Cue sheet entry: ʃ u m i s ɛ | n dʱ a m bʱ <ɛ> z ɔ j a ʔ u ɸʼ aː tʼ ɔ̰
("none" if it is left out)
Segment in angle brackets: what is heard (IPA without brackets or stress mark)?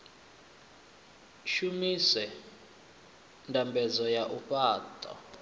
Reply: ɛ